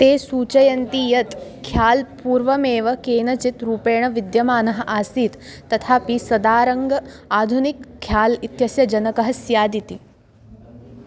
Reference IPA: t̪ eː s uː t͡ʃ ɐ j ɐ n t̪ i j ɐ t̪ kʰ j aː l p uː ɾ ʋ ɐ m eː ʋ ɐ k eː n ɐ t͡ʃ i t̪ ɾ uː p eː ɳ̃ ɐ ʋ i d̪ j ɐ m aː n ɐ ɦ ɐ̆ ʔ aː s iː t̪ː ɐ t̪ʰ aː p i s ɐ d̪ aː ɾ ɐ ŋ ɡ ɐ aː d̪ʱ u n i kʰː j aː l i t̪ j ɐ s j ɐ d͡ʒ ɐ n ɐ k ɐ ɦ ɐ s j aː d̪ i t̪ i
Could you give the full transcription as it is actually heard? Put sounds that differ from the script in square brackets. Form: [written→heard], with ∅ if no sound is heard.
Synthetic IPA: t̪ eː s uː t͡ʃ ɐ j ɐ n t̪ i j ɐ t̪ kʰ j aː l p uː ɾ ʋ ɐ m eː ʋ ɐ k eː n ɐ t͡ʃ i t̪ ɾ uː p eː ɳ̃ ɐ ʋ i d̪ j ɐ m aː n ɐ ɦ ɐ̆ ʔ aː s iː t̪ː ɐ t̪ʰ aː p i s ɐ d̪ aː ɾ ɐ ŋ ɡ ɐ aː d̪ʱ u n i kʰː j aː l i t̪ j ɐ s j ɐ d͡ʒ ɐ n ɐ k ɐ ɦ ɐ s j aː d̪ i t̪ i